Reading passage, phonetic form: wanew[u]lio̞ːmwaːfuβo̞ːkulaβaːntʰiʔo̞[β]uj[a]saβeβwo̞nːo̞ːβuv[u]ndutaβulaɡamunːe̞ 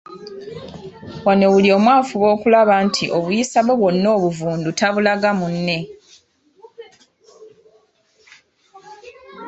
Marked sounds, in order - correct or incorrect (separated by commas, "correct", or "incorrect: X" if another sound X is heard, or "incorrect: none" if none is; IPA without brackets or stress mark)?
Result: correct, correct, incorrect: i, incorrect: uː